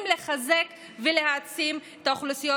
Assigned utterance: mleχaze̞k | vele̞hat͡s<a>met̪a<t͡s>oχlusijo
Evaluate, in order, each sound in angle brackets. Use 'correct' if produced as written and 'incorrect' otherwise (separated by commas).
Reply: incorrect, incorrect